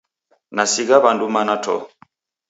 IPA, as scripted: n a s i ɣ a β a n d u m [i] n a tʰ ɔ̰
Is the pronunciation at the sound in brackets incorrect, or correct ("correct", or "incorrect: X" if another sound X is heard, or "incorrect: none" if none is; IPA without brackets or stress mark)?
incorrect: a